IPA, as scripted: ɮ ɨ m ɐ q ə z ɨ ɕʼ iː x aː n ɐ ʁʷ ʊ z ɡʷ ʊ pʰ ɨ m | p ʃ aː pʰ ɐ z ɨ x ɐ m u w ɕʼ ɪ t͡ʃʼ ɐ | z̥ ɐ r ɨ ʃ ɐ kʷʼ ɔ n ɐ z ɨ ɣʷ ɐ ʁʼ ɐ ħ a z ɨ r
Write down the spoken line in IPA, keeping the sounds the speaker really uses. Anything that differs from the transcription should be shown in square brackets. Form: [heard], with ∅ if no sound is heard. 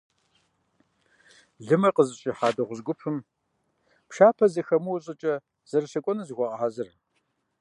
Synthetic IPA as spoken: ɮ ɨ m ɐ q ə z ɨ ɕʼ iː [ħ] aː [d] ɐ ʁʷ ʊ z ɡʷ ʊ pʰ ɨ m | p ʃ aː pʰ ɐ z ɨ x ɐ m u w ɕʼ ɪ t͡ʃʼ ɐ | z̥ ɐ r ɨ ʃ ɐ kʷʼ ɔ n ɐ z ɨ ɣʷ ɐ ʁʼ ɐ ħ a z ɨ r